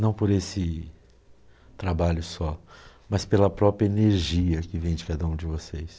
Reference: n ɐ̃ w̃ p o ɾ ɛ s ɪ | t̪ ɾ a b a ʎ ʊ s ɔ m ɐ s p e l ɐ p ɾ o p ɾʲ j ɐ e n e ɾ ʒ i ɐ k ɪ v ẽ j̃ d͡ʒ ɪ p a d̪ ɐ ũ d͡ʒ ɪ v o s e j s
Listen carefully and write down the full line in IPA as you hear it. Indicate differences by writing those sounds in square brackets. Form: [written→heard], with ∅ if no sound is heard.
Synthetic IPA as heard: n ɐ̃ w̃ p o ɾ [ɛ→e] s ɪ | t̪ ɾ a b a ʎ ʊ s ɔ m ɐ s p e l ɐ p ɾ [o→ɔ] p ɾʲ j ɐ e n e ɾ ʒ i ɐ k ɪ v ẽ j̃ d͡ʒ ɪ [p→k] a d̪ ɐ ũ d͡ʒ ɪ v o s e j s